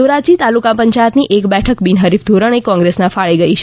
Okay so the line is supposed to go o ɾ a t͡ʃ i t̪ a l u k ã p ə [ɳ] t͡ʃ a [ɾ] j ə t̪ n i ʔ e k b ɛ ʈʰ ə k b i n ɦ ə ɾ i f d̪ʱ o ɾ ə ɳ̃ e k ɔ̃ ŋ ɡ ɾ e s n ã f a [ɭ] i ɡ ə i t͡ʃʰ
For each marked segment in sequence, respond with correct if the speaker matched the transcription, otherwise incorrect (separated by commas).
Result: incorrect, incorrect, correct